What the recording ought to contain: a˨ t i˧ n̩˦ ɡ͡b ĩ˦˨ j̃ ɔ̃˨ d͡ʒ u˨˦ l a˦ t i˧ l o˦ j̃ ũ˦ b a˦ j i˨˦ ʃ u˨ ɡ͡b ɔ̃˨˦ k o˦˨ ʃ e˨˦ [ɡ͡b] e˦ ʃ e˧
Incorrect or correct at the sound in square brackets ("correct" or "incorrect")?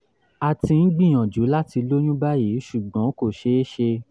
incorrect